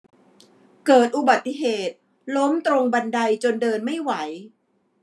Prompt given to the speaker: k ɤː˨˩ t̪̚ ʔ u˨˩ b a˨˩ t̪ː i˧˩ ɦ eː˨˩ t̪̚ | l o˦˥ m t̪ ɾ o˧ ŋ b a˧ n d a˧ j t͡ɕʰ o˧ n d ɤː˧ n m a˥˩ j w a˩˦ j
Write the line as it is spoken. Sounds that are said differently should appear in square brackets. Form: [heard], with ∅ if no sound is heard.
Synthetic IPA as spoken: k ɤː˨˩ t̪̚ ʔ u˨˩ b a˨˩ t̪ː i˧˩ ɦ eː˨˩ t̪̚ | l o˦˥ m t̪ ɾ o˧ ŋ b a˧ n d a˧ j [t͡ɕ] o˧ n d ɤː˧ n m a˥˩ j w a˩˦ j